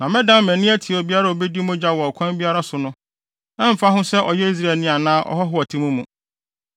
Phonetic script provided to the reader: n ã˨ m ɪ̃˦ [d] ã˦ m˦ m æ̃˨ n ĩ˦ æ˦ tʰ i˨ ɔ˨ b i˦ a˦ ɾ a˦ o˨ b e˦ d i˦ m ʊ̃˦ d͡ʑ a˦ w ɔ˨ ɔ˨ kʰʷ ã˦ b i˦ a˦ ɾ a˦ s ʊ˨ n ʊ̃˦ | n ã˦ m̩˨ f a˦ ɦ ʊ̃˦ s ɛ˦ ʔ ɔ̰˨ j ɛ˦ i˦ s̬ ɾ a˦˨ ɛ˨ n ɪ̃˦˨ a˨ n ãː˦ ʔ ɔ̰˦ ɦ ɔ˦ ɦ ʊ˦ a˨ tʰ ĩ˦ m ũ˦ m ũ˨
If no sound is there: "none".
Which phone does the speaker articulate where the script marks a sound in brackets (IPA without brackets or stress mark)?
d